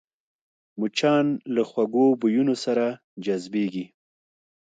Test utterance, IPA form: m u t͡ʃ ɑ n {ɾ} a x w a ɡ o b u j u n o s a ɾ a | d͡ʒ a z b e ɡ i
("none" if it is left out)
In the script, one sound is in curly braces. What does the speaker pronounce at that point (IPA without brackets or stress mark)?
l